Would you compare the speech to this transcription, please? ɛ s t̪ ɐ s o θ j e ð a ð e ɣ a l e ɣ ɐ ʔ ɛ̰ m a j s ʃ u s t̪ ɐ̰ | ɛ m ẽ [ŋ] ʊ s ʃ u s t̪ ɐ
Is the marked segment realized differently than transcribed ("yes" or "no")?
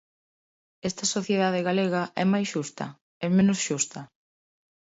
yes